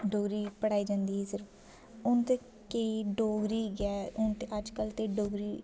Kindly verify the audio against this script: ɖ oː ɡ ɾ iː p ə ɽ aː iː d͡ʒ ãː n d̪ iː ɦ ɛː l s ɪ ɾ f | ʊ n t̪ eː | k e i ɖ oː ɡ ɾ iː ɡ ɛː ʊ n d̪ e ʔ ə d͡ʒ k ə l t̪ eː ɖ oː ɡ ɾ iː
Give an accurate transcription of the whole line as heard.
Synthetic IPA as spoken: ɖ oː ɡ ɾ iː p ə ɽ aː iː d͡ʒ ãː n d̪ iː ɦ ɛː s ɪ ɾ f | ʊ n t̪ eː | k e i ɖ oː ɡ ɾ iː ɡ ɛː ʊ n t̪ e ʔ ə d͡ʒ k ə l t̪ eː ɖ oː ɡ ɾ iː